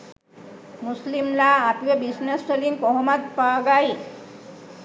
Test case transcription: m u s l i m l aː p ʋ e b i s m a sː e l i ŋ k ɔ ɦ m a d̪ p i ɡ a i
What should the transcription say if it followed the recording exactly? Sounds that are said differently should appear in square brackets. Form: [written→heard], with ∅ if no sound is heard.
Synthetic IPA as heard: m u s l i m l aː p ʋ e b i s [m→n] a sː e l i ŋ k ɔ ɦ m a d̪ p [i→a] ɡ a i